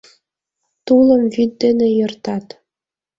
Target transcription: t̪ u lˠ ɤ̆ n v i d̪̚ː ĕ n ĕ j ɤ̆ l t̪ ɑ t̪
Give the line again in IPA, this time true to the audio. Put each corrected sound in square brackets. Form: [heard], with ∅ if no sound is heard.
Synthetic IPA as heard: t̪ u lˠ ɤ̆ [m] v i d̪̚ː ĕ n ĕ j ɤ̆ [r] t̪ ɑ t̪

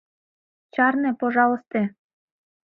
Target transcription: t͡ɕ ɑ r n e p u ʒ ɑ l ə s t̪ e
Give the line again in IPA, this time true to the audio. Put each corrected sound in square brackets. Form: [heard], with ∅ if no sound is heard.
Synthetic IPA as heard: t͡ɕ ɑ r n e p [o] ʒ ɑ l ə s t̪ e

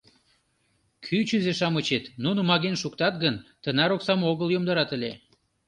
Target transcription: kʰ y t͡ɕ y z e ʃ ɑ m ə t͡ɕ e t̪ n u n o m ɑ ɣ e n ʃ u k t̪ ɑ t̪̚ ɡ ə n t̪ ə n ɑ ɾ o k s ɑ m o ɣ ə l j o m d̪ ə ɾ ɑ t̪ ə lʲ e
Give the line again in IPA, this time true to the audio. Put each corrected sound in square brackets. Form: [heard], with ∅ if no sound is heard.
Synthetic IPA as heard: kʰ y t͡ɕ y z e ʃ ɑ m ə t͡ɕ e t̪ n u n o m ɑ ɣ e n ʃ u k t̪ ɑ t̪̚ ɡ ə n t̪ ə n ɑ ɾ o k s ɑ m o ɣ ə l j o m d̪ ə ɾ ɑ t̪ ə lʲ e

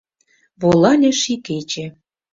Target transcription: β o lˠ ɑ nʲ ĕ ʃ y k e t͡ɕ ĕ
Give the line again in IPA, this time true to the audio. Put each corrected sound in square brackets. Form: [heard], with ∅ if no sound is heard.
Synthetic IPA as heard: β o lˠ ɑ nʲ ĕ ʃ [i] k e t͡ɕ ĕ

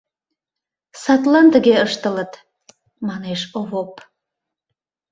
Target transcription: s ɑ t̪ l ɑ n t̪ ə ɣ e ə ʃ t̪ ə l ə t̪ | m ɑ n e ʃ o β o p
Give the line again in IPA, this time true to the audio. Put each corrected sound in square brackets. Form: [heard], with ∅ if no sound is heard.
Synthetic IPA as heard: s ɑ t̪ l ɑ n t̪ ə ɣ e ə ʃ t̪ ə l ə t̪ | m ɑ n e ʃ o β o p

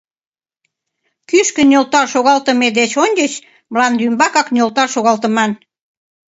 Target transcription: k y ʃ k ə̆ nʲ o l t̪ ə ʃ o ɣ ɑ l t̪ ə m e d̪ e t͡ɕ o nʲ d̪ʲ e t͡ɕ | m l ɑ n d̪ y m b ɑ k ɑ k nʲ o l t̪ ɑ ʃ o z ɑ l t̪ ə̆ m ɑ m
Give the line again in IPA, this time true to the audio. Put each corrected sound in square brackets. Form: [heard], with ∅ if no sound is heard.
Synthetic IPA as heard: k y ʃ k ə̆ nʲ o l t̪ [ɑ] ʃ o ɣ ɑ l t̪ ə m e d̪ e t͡ɕ o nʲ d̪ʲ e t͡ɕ | m l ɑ n d̪ y m b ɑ k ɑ k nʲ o l t̪ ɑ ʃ o [ɣ] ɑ l t̪ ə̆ m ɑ [n]

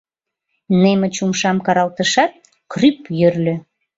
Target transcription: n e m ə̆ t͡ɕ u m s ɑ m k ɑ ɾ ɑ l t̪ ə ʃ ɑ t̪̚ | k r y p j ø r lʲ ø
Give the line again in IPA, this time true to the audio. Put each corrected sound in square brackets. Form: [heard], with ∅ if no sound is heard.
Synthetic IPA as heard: n e m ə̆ t͡ɕ u m [ʃ] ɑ m k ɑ ɾ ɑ l t̪ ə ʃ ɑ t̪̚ | k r y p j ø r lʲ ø

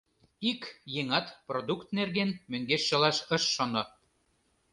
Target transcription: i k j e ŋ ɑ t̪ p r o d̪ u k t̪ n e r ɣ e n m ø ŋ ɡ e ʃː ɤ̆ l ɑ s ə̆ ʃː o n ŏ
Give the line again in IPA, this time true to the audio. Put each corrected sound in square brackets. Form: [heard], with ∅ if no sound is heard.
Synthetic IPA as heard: i k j e ŋ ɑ t̪ p r o d̪ u k t̪ n e r ɣ e n m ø ŋ ɡ e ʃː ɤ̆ l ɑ [ʃ] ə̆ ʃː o n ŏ

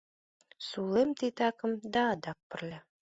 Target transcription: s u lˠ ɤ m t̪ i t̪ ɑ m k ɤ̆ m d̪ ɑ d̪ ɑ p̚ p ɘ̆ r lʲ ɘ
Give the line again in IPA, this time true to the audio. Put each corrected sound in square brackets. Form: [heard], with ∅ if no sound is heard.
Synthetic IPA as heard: s u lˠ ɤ m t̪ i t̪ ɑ [∅] k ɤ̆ m d̪ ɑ d̪ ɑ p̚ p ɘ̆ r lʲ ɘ

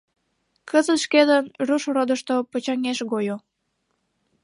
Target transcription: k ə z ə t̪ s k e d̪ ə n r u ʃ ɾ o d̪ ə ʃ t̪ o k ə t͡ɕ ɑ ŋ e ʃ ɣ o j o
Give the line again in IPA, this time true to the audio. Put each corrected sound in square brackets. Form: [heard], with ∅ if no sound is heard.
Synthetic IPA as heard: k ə z ə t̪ [ʃ] k e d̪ ə n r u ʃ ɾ o d̪ ə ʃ t̪ o [p] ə t͡ɕ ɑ ŋ e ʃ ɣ o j o

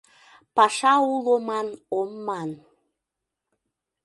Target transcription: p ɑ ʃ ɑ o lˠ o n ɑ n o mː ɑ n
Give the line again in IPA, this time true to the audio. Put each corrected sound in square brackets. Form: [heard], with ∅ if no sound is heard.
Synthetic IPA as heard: p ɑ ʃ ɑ [u] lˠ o [m] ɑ n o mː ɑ n

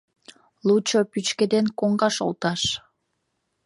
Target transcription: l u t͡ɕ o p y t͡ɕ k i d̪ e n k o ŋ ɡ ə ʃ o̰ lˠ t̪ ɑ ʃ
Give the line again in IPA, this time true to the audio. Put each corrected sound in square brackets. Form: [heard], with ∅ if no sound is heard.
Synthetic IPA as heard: l u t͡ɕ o p y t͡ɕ k [e] d̪ e n k o ŋ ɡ [ɑ] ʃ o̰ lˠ t̪ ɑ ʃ

